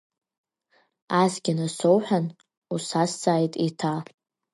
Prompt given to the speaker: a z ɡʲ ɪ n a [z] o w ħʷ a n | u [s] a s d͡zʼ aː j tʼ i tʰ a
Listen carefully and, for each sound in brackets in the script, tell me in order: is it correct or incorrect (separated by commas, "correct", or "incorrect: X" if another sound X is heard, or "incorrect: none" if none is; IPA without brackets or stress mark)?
incorrect: s, correct